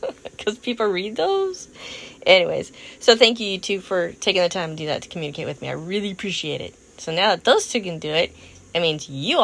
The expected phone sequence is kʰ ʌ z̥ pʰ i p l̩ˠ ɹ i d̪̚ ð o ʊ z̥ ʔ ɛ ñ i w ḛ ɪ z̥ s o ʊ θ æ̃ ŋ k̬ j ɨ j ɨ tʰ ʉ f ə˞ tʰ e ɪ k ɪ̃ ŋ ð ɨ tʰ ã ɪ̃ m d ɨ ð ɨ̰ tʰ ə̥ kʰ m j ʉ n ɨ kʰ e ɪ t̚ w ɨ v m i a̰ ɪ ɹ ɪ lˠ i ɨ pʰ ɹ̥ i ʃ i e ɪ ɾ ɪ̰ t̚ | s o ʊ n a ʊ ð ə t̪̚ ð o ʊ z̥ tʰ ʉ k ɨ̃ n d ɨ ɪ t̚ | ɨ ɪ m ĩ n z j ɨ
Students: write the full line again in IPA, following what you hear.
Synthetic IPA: kʰ ʌ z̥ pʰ i p l̩ˠ ɹ i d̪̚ ð o ʊ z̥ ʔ ɛ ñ i w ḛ ɪ z̥ s o ʊ θ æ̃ ŋ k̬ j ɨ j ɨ tʰ ʉ f ə˞ tʰ e ɪ k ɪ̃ ŋ ð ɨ tʰ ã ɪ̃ m d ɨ ð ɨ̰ tʰ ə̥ kʰ m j ʉ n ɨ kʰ e ɪ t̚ w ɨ ð m i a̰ ɪ ɹ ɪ lˠ i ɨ pʰ ɹ̥ i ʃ i e ɪ ɾ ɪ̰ t̚ | s o ʊ n a ʊ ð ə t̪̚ ð o ʊ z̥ tʰ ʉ k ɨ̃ n d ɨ ɪ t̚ | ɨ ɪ m ĩ n z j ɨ